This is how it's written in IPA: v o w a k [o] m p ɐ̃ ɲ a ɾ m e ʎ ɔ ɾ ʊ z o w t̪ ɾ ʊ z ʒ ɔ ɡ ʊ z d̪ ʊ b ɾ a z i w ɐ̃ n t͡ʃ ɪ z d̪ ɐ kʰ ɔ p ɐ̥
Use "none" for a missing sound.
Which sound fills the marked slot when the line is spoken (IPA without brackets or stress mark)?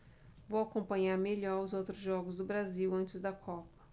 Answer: õ